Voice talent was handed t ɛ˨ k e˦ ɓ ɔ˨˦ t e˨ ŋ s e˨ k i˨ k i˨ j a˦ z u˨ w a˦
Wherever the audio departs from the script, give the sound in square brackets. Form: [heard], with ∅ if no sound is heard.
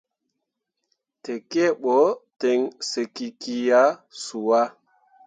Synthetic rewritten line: t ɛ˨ k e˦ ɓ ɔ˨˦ t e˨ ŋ s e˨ k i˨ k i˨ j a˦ [s] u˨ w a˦